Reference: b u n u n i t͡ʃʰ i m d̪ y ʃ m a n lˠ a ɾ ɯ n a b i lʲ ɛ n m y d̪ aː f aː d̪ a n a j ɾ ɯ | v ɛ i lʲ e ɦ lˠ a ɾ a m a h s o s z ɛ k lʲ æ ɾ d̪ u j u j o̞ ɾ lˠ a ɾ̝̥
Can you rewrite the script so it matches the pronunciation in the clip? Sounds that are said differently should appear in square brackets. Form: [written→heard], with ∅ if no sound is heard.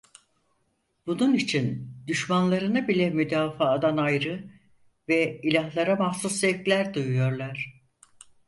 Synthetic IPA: b u n u n i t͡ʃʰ i [m→n] d̪ y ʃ m a n lˠ a ɾ ɯ n a b i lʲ ɛ [n→∅] m y d̪ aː f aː d̪ a n a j ɾ ɯ | v ɛ i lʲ [e→a] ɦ lˠ a ɾ a m a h s [o→u] s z ɛ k lʲ æ ɾ d̪ u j u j o̞ ɾ lˠ a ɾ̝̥